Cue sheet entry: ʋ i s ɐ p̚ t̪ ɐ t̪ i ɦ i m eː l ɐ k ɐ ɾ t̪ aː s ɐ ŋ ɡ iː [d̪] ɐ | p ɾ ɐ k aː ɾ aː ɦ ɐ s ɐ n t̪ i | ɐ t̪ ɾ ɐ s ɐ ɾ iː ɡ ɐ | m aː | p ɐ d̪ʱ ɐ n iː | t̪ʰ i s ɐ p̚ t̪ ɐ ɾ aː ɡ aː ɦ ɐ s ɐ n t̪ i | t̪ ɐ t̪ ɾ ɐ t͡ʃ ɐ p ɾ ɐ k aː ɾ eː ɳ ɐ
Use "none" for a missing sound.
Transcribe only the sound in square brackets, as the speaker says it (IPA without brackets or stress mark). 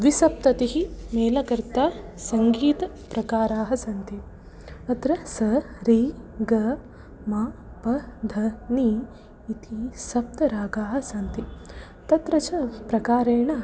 t̪